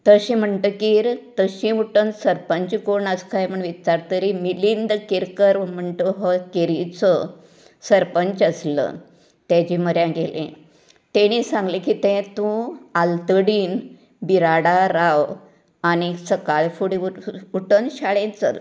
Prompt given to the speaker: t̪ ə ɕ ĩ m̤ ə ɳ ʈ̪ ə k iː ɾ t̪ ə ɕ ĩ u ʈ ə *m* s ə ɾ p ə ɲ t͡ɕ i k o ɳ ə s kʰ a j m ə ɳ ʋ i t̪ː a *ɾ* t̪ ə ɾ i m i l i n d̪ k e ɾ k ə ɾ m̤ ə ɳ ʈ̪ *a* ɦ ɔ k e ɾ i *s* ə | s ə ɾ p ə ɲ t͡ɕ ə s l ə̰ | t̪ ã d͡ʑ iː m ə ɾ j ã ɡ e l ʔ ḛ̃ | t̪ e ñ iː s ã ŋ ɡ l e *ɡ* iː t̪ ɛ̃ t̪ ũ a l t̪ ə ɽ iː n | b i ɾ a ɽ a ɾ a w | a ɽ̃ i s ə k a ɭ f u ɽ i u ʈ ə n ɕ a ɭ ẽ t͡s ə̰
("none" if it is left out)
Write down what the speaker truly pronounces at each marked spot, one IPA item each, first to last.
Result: n, ɾ, ə, t͡s, k

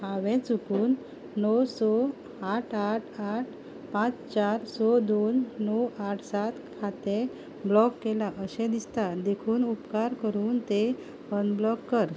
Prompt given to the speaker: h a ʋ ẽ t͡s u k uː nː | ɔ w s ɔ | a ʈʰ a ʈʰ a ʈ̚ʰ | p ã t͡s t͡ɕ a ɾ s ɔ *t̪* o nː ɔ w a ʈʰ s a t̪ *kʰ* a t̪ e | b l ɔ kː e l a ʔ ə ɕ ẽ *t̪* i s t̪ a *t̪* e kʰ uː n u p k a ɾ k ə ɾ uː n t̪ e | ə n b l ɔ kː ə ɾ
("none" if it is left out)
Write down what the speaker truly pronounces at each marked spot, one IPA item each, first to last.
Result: d̪, kʰ, d̪, d̪

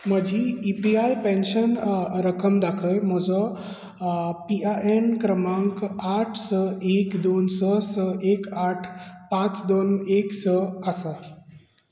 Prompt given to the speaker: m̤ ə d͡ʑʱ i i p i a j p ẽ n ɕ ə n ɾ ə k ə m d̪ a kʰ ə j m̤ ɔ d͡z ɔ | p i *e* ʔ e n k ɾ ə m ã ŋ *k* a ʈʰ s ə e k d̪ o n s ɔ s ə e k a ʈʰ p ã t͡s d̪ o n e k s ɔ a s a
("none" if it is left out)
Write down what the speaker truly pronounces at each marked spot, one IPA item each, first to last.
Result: a, k

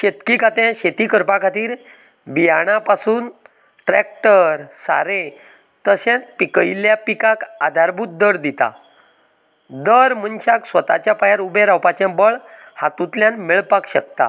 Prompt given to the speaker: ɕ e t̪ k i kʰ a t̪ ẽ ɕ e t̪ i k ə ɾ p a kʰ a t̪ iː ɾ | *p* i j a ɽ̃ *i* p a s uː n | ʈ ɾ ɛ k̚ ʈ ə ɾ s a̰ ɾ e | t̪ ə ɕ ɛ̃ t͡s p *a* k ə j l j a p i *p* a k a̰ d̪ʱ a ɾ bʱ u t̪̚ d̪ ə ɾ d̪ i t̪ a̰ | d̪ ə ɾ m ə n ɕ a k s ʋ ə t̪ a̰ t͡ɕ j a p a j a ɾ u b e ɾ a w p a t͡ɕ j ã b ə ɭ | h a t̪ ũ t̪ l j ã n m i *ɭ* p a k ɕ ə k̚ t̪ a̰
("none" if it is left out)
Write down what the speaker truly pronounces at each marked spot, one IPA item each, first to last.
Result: b, a, i, k, ɭ

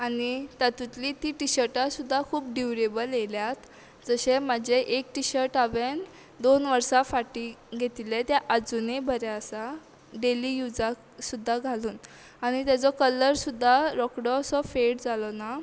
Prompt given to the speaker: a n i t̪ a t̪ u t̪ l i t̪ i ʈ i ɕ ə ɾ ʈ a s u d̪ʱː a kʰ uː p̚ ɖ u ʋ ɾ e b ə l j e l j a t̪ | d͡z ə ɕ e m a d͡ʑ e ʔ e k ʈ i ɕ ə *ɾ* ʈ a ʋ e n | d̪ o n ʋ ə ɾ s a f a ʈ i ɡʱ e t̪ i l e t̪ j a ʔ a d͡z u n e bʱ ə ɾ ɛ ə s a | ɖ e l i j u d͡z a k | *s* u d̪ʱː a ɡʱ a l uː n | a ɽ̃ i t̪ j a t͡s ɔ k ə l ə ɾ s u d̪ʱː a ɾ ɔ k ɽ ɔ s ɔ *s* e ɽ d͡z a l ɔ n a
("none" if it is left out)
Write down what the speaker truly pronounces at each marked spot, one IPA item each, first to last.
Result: ɾ, s, f

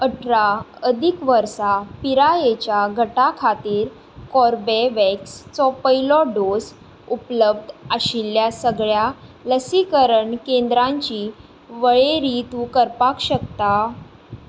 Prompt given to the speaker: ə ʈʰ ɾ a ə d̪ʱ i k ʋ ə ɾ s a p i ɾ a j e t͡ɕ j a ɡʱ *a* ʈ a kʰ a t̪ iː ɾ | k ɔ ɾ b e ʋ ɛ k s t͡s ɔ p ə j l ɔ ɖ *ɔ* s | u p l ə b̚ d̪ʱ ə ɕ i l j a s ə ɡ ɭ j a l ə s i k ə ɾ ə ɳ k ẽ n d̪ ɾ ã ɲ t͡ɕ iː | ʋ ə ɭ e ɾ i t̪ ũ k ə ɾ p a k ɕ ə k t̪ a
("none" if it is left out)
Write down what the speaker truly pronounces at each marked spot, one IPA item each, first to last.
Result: ə, o

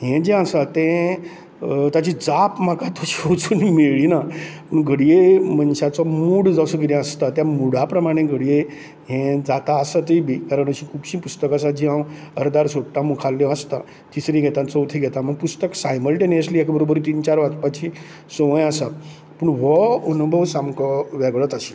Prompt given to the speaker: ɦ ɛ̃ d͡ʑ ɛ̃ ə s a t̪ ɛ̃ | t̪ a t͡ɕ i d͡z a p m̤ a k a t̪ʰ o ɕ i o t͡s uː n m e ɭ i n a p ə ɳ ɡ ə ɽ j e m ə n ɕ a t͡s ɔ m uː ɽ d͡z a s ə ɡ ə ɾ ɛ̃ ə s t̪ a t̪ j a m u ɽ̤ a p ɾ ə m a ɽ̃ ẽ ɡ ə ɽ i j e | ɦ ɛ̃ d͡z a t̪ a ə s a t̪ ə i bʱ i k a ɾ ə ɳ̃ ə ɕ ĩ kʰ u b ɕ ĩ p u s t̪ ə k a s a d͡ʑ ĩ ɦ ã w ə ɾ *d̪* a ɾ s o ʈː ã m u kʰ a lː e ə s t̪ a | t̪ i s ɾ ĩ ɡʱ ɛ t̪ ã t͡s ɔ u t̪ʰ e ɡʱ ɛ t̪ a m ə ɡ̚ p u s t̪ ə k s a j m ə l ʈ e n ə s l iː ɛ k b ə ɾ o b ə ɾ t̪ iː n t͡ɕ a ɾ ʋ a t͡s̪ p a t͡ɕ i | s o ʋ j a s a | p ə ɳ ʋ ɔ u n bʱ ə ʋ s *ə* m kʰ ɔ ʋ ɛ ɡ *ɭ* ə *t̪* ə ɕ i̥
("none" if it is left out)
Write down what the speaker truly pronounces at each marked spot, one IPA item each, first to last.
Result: d̪, a, ɭ, t̪

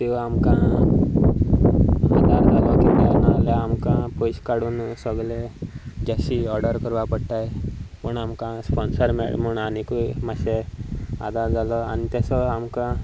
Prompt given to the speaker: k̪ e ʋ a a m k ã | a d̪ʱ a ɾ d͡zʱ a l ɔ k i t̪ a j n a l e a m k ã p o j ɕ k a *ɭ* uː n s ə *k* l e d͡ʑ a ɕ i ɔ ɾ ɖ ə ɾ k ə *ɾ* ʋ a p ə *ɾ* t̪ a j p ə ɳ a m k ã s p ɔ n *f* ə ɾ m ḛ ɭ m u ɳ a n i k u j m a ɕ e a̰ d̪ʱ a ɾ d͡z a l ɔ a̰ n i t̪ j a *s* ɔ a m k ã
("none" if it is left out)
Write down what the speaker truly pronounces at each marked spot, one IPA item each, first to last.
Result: ɽ, ɡ, ɾ, ɽ, s, s

